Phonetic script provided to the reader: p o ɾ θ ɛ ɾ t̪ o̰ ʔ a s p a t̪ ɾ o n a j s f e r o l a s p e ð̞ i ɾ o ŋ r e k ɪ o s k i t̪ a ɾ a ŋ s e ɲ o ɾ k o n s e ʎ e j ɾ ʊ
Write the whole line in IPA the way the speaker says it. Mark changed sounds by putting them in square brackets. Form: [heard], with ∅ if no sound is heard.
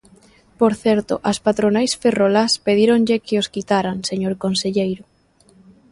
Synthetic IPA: p o ɾ θ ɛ ɾ t̪ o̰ ʔ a s p a t̪ ɾ o n a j s f e r o l a s p e ð̞ i ɾ o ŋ [ʎ] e k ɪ o s k i t̪ a ɾ a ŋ s e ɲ o ɾ k o n s e ʎ e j ɾ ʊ